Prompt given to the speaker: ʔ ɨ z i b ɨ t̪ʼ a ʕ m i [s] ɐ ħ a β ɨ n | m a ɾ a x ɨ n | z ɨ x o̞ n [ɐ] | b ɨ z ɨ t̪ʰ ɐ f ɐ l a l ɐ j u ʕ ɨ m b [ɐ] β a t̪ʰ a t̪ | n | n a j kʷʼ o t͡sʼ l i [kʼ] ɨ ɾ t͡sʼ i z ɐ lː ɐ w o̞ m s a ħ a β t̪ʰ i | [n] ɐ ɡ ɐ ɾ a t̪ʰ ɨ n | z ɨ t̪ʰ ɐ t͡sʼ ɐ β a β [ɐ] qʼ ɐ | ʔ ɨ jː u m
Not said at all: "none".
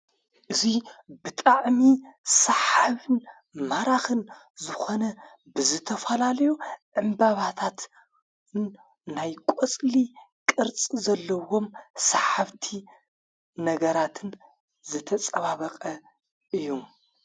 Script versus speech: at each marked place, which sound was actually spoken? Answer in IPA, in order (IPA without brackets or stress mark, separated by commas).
s, ɐ, a, kʼ, n, ɐ